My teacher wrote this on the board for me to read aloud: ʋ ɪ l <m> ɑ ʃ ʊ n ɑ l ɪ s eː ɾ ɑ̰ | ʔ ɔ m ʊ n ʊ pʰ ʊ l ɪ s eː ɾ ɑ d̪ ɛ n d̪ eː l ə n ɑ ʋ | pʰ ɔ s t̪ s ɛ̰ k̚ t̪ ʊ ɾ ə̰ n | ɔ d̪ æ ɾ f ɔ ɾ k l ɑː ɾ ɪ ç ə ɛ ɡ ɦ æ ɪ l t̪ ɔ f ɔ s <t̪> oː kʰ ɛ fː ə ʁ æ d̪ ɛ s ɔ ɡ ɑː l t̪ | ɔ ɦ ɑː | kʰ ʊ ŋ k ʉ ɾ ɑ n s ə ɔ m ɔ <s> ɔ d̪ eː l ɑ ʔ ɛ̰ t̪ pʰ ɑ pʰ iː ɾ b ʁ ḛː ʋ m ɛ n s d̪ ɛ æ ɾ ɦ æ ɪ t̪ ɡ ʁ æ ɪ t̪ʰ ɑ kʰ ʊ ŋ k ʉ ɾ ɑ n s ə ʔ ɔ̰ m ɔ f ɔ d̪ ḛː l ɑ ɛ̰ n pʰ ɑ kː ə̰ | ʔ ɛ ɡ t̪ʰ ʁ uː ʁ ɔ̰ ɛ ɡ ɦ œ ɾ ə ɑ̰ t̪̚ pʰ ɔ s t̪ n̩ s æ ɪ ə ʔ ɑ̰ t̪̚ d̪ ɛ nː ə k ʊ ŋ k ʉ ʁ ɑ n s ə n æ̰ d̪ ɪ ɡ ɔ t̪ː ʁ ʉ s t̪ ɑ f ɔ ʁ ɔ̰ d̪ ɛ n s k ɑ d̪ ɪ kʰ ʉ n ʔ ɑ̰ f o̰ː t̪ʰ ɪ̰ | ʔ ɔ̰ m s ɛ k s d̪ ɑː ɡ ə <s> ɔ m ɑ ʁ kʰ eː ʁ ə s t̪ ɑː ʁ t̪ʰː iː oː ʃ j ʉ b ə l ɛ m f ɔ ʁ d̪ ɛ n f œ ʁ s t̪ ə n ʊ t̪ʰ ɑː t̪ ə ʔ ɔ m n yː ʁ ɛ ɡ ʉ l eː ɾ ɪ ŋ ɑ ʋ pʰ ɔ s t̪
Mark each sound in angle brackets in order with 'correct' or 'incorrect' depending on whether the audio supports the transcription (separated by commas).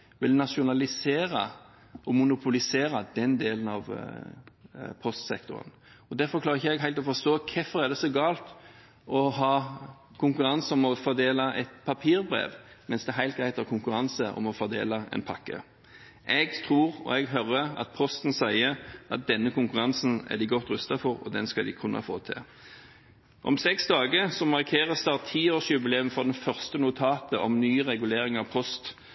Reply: incorrect, correct, incorrect, correct